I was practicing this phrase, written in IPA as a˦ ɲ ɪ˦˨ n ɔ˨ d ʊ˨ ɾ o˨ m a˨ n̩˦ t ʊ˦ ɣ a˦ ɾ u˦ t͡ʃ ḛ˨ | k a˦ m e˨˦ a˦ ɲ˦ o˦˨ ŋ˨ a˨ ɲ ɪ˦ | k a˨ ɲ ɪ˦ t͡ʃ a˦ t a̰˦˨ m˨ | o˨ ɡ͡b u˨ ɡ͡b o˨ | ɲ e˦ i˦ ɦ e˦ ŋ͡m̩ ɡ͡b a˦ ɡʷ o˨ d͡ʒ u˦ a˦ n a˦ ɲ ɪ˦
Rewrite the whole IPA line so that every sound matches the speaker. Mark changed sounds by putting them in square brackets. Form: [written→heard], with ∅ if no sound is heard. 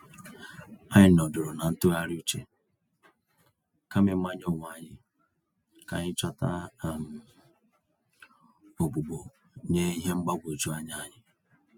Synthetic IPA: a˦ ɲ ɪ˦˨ n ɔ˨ d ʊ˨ ɾ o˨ [m→n] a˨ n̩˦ t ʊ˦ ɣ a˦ ɾ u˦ t͡ʃ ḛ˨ | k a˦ m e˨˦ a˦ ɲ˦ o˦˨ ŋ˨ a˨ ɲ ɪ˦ | k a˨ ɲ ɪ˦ t͡ʃ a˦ t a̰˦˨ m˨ | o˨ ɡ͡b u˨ ɡ͡b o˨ | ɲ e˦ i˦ ɦ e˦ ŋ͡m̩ ɡ͡b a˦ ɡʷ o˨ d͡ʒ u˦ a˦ [n→ɲ] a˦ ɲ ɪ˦